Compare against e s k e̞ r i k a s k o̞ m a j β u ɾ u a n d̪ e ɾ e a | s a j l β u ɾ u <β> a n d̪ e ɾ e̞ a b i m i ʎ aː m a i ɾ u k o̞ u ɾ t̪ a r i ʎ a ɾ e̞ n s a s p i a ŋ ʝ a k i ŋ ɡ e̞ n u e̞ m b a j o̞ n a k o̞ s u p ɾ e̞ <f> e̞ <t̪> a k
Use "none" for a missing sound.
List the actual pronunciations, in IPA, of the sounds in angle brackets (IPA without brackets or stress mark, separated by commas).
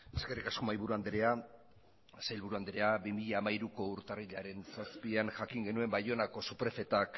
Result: none, f, t̪